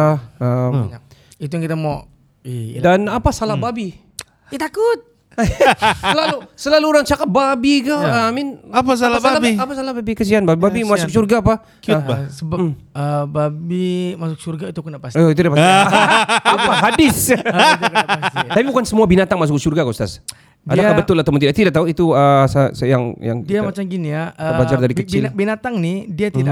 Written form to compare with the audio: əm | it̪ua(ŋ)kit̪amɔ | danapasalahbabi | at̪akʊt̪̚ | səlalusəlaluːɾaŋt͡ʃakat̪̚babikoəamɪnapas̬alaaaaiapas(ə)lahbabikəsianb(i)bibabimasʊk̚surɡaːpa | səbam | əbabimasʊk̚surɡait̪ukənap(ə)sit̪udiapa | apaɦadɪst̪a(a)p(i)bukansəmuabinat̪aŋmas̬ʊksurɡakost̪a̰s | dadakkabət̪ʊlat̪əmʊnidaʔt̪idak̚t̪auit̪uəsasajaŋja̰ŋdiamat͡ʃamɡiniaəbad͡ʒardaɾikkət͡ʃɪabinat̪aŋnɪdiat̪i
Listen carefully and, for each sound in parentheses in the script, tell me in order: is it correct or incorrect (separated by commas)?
correct, incorrect, incorrect, incorrect, correct, correct